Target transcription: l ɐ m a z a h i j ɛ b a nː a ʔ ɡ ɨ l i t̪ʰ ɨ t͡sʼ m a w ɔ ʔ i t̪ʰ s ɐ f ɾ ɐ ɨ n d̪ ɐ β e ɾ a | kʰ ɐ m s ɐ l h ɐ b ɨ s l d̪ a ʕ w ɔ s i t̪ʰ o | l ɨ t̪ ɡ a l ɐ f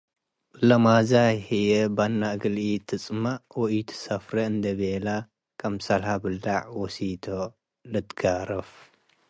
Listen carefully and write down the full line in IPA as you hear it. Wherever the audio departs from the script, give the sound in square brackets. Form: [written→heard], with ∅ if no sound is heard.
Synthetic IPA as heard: l ɐ m a z a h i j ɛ b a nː a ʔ ɡ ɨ l i t̪ʰ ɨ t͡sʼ m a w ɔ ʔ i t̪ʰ s ɐ f ɾ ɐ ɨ n d̪ ɐ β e [ɾ→l] a | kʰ ɐ m s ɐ l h [ɐ→a] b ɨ [s→∅] l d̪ a ʕ w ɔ s i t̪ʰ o | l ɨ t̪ ɡ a [l→ɾ] ɐ f

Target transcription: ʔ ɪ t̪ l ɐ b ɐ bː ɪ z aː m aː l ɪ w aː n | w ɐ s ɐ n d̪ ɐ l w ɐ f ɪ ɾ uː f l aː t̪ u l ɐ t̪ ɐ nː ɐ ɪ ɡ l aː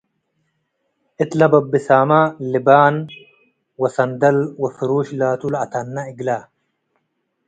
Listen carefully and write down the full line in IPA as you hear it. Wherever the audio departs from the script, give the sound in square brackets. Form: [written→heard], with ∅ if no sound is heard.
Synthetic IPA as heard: ʔ ɪ t̪ l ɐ b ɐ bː ɪ [z→s] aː m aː l ɪ [w→b] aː n | w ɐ s ɐ n d̪ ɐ l w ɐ f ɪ ɾ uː [f→ʃ] l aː t̪ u l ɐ t̪ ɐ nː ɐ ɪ ɡ l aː

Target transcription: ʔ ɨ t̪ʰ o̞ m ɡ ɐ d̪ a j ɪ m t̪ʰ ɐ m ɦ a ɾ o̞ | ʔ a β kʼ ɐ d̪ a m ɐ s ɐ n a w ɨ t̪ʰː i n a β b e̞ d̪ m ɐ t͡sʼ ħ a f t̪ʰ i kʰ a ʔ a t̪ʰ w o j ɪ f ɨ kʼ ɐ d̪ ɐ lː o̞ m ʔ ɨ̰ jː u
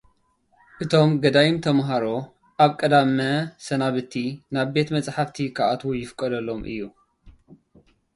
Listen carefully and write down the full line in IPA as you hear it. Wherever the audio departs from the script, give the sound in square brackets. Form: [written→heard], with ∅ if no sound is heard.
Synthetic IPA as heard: ʔ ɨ t̪ʰ o̞ m ɡ ɐ d̪ a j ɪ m t̪ʰ ɐ m ɦ a ɾ o̞ | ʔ a β kʼ ɐ d̪ a m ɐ s ɐ n a [w→β] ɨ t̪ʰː i n a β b e̞ [d̪→t̪] m ɐ t͡sʼ ħ a f t̪ʰ i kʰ a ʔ a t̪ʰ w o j ɪ f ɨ kʼ ɐ d̪ ɐ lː o̞ m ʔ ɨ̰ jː u

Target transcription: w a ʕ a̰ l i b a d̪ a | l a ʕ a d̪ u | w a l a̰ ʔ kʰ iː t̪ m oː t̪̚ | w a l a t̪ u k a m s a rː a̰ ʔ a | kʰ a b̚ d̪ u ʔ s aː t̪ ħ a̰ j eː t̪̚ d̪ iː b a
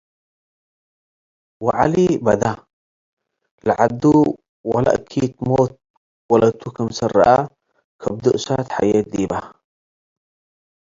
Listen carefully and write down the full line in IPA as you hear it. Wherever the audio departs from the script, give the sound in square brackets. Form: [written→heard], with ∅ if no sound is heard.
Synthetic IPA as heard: w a ʕ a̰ l i b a d̪ a | l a ʕ a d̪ u | w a l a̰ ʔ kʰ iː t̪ m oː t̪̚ | w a l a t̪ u k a m s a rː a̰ ʔ a | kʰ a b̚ d̪ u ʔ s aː t̪ ħ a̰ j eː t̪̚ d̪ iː b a

